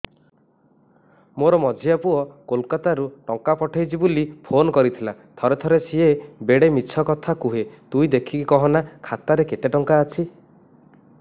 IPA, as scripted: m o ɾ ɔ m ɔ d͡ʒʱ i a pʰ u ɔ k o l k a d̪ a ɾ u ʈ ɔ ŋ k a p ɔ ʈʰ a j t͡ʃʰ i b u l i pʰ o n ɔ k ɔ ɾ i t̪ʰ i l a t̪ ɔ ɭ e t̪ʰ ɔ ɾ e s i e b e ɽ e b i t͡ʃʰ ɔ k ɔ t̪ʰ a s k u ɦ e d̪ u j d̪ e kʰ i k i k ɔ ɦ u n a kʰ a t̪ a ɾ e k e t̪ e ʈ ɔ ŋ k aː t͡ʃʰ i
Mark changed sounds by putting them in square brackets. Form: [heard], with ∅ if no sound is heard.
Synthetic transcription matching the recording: m o ɾ ɔ m ɔ d͡ʒʱ i a [p] u ɔ k o l k a [t̪] a ɾ u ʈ ɔ ŋ k a p ɔ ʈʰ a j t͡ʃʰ i b u l i pʰ o n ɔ k ɔ ɾ i t̪ʰ i l a [t̪ʰ] ɔ [ɾ] e t̪ʰ ɔ ɾ e s i e b e ɽ e [m] i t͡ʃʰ ɔ k ɔ t̪ʰ a [∅] k u ɦ e [t̪] u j d̪ e kʰ i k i k ɔ ɦ [ɔ] n a kʰ a t̪ a ɾ e k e t̪ e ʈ ɔ ŋ k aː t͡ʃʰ i